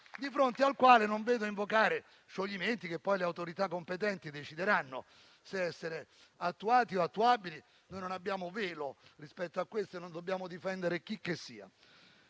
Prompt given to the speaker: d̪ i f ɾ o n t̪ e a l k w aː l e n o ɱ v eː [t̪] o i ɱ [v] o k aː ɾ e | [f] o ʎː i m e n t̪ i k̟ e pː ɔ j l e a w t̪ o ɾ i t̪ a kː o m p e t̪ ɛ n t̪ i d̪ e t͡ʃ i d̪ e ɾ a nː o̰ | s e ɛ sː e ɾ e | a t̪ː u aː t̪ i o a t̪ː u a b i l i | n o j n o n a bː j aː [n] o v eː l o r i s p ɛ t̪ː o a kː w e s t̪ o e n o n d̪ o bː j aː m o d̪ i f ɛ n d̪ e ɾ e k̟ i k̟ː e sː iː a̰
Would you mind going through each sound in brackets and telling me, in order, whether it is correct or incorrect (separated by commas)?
incorrect, correct, incorrect, incorrect